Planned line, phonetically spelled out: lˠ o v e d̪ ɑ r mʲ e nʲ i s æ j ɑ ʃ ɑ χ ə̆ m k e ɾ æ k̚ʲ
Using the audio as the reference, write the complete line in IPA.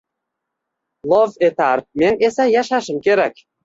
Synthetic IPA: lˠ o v e t̪ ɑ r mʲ e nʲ e s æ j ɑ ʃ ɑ ʃ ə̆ m k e ɾ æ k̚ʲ